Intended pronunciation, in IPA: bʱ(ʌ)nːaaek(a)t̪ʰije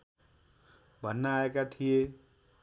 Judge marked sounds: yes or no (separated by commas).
yes, yes